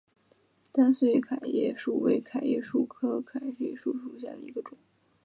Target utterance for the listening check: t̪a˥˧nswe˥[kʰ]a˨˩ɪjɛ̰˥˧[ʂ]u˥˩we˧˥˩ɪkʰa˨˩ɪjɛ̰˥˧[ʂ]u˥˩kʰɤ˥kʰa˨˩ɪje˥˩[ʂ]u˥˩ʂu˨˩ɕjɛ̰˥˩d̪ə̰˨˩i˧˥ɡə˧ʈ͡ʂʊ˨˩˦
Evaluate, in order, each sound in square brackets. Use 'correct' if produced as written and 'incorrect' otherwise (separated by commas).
correct, correct, correct, correct